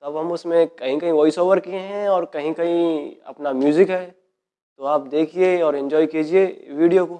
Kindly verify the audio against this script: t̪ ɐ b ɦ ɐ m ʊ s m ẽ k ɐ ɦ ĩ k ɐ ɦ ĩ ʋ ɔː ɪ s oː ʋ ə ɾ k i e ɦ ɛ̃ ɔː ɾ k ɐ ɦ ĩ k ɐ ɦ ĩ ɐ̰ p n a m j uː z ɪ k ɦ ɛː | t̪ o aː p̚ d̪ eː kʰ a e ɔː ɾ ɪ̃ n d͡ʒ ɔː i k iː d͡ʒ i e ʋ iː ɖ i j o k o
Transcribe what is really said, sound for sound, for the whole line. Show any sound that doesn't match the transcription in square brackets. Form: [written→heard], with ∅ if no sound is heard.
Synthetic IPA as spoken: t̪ ɐ b ɦ ɐ m ʊ s m ẽ k ɐ ɦ ĩ k ɐ ɦ ĩ ʋ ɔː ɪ s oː ʋ ə ɾ k i e ɦ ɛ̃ ɔː ɾ k ɐ ɦ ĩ k ɐ ɦ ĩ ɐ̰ p n a m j uː z ɪ k ɦ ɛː | t̪ o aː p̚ d̪ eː kʰ [a→i] e ɔː ɾ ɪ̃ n d͡ʒ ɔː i k iː d͡ʒ i e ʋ iː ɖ i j o k o